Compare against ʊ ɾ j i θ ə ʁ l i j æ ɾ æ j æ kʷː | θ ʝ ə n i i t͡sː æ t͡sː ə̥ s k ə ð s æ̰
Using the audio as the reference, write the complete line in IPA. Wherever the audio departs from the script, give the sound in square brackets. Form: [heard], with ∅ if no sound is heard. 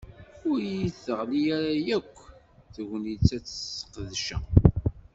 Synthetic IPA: ʊ ɾ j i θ ə ʁ l i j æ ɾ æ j æ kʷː | θ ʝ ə n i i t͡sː æ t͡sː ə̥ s [q] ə ð [ʃ] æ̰

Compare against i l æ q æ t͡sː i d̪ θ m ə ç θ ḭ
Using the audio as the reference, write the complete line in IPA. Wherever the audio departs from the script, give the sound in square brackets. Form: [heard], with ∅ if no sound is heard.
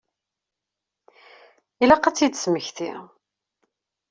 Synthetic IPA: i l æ q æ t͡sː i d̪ [s] m ə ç θ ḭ

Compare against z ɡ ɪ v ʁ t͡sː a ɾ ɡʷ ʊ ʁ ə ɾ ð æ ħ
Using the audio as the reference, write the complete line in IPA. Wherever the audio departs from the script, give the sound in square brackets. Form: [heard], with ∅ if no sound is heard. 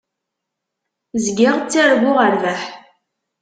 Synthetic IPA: z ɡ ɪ [∅] ʁ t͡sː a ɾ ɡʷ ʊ ʁ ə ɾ [v] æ ħ

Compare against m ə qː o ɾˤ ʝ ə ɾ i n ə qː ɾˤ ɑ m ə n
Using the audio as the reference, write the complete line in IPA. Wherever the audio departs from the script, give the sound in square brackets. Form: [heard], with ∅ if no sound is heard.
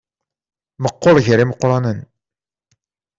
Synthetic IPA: m ə qː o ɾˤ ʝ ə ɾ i [m] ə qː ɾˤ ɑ [n] ə n

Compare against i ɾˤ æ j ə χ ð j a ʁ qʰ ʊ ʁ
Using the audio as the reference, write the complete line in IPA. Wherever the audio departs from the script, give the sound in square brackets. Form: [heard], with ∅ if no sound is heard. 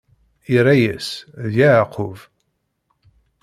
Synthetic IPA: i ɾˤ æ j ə [s] ð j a [ʕ] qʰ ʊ [v]

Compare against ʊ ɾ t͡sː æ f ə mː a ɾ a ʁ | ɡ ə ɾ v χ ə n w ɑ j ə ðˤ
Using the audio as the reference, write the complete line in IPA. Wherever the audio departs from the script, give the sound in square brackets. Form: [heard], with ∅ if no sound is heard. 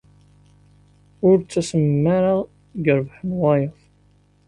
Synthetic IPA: ʊ ɾ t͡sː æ [s] ə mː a ɾ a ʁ | ɡ ə ɾ v [ħ] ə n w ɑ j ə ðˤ

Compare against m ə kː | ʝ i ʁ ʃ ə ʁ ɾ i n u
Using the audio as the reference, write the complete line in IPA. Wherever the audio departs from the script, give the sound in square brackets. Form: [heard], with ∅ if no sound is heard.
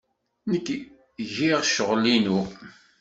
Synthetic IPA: [n] ə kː | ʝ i ʁ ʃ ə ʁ [l] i n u

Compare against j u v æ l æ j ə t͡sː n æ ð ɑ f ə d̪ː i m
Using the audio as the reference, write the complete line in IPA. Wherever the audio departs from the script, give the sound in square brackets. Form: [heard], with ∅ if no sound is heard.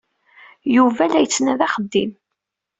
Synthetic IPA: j u v æ l æ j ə t͡sː n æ ð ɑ [χ] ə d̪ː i m

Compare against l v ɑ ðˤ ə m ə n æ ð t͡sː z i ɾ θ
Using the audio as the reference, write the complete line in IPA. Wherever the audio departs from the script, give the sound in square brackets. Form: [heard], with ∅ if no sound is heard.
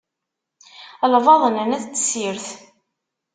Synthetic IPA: l v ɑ ðˤ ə [n] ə n æ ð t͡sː [s] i ɾ θ

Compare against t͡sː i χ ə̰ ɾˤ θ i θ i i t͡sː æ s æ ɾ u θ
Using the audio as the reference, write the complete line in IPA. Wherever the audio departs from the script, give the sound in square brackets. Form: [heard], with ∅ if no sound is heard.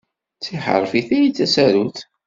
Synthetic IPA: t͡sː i [ħ] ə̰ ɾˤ [f] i θ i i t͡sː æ s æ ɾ u θ

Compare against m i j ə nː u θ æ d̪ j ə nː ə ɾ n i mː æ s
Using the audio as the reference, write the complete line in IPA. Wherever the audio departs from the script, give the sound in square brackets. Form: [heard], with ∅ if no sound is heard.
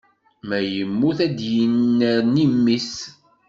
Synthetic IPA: m [æ] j ə [mː] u θ æ d̪ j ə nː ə ɾ n i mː [i] s

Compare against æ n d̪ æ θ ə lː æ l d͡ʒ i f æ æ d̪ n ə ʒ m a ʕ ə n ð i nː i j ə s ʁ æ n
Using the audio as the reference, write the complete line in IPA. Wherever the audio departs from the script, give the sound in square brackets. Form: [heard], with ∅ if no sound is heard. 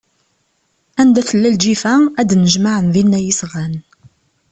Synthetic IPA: æ n d̪ æ θ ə lː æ l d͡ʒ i f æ æ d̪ n ə ʒ m a ʕ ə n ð i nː [æ] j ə s ʁ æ n

